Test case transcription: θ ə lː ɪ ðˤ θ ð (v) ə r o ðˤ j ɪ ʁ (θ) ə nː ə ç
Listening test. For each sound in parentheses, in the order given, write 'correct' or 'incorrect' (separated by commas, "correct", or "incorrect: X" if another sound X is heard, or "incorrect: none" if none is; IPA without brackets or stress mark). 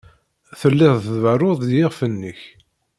correct, incorrect: f